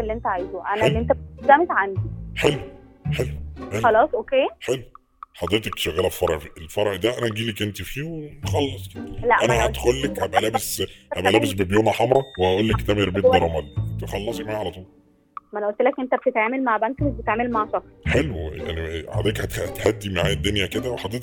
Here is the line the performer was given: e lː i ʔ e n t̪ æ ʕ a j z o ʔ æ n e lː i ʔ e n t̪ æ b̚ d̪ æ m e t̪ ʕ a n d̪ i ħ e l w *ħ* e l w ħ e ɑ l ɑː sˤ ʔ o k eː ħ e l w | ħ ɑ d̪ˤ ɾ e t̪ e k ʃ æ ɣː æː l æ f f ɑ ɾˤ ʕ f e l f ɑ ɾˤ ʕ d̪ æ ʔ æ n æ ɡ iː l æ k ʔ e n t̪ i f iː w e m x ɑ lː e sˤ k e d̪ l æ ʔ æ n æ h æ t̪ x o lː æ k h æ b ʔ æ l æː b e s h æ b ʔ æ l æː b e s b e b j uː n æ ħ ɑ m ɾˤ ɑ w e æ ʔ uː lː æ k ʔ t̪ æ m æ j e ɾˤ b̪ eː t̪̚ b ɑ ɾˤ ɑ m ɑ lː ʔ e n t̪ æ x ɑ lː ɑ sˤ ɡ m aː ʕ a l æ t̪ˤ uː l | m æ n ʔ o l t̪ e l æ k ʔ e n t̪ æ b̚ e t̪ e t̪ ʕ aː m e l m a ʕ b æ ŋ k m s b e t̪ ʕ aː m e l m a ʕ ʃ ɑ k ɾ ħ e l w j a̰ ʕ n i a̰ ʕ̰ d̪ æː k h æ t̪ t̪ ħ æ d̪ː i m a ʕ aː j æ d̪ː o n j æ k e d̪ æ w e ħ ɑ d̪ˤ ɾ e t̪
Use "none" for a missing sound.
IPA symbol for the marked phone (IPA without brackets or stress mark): ħ